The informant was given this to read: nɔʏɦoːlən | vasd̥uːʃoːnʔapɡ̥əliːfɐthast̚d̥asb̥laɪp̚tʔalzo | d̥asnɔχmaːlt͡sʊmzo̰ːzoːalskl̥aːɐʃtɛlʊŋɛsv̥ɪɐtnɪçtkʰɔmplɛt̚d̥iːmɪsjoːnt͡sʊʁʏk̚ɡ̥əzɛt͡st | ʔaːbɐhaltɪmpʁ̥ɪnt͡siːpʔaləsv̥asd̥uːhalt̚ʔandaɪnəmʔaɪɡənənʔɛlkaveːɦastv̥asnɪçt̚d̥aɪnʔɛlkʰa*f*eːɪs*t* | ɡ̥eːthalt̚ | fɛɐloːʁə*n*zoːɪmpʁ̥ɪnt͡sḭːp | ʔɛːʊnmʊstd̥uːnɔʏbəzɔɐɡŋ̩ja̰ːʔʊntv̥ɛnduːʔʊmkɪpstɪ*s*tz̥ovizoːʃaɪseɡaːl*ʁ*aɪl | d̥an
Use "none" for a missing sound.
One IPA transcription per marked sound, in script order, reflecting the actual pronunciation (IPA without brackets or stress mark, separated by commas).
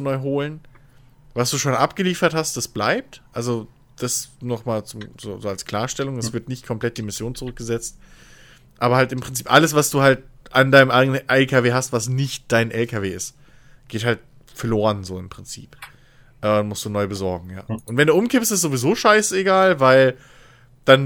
v, t, n, s, v